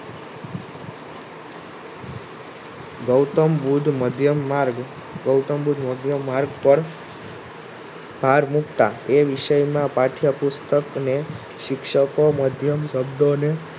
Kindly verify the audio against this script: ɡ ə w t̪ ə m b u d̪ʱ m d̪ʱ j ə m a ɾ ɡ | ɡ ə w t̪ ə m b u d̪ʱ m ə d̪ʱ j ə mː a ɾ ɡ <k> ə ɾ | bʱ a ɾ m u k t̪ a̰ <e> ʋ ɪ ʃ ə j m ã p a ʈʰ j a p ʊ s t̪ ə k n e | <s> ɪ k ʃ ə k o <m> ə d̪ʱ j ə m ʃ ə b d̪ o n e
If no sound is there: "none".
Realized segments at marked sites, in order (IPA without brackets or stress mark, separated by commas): p, e, ʃ, m